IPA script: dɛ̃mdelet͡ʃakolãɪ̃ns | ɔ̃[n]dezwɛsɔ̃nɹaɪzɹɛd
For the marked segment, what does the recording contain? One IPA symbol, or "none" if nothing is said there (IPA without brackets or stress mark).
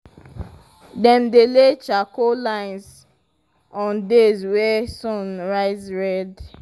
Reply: n